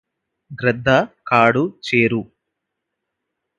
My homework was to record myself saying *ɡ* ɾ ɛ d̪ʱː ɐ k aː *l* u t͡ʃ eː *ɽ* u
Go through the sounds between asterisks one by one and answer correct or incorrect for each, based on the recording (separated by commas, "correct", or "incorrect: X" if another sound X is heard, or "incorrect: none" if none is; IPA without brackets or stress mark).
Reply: correct, incorrect: ɽ, incorrect: ɾ